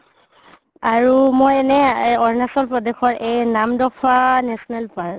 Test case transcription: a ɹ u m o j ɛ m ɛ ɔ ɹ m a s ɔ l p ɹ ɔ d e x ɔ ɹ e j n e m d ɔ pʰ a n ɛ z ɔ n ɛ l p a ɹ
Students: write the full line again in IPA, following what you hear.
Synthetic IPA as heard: a ɹ u m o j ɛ n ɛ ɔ ɹ n a s ɔ l p ɹ ɔ d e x ɔ ɹ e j n a m d ɔ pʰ a n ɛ s ɔ n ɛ l p a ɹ

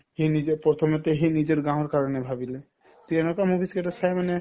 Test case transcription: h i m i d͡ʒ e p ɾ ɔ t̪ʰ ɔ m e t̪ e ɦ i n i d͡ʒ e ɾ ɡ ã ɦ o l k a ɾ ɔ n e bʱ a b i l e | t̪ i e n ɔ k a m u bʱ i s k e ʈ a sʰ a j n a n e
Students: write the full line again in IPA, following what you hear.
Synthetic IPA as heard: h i n i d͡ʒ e p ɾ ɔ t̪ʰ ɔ m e t̪ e ɦ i n i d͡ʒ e ɾ ɡ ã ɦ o ɾ k a ɾ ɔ n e bʱ a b i l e | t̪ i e n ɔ k a m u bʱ i s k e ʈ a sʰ a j m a n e

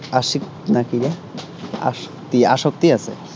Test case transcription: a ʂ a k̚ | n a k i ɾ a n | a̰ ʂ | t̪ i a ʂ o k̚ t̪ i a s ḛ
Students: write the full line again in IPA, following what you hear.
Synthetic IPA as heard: a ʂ i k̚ | n a k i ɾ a | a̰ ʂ | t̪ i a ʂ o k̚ t̪ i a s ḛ

